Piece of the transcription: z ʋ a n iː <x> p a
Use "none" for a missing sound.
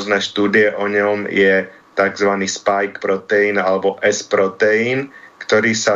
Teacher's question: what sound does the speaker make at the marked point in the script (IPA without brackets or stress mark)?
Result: s